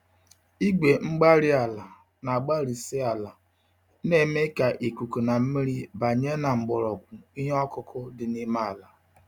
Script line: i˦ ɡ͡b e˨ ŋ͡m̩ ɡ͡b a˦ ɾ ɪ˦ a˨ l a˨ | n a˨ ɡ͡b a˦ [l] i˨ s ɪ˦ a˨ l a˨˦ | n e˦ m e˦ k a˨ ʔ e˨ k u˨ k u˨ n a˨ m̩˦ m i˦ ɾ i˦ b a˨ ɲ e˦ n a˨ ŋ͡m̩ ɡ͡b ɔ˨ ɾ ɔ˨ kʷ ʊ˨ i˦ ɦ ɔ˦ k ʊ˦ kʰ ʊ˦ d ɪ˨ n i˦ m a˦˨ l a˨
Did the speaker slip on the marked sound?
yes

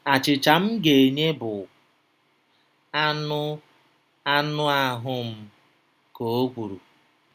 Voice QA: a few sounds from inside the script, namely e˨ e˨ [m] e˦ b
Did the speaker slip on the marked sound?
yes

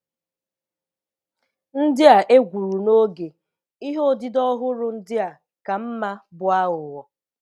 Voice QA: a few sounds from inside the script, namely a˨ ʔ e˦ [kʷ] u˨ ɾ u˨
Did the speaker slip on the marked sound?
yes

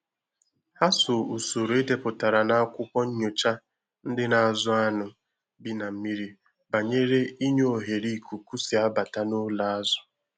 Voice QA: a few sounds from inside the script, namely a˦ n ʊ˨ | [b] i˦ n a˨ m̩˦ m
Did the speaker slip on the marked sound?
no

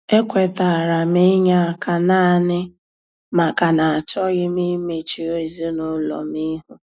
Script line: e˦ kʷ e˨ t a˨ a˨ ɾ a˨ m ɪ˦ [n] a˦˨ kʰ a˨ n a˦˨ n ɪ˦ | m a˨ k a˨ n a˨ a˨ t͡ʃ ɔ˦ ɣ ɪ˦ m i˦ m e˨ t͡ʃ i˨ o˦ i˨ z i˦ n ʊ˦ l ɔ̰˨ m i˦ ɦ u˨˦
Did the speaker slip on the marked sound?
yes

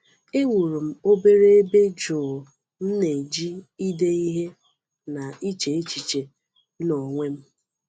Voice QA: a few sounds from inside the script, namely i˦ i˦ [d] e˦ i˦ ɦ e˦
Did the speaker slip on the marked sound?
no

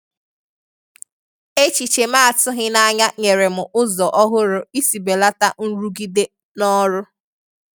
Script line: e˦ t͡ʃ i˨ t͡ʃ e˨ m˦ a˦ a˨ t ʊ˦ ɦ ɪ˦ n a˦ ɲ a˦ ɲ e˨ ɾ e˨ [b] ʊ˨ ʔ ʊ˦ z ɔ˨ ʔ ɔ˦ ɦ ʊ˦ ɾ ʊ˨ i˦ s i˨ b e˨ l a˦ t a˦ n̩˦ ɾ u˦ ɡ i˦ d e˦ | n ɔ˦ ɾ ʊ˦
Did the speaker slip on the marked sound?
yes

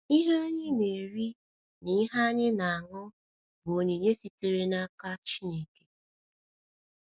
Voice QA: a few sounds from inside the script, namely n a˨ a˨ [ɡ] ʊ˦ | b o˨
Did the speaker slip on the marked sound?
yes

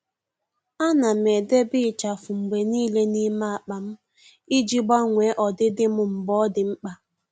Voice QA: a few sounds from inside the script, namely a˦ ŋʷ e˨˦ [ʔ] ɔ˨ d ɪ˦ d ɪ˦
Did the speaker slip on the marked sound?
no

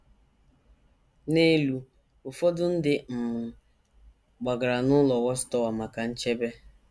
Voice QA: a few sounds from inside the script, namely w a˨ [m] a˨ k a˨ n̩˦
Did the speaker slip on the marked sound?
no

